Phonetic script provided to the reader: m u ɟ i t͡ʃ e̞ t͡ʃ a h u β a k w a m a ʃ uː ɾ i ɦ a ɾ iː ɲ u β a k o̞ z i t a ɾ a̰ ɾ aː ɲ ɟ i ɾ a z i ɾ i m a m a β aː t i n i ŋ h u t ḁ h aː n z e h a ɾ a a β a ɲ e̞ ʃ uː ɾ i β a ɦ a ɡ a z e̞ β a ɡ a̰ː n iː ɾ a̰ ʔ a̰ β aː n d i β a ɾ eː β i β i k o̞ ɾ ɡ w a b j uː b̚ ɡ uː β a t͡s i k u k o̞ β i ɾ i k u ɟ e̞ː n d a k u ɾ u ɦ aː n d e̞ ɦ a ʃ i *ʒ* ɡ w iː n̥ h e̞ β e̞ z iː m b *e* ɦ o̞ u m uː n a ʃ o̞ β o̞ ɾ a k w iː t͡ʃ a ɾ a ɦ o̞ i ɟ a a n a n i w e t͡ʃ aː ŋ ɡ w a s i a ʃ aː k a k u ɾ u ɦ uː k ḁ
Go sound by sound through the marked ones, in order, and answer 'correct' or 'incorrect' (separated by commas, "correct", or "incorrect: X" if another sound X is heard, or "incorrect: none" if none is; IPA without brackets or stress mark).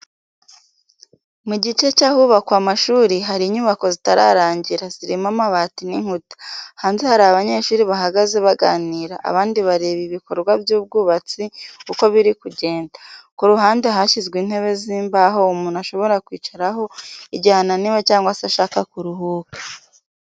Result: incorrect: z, incorrect: a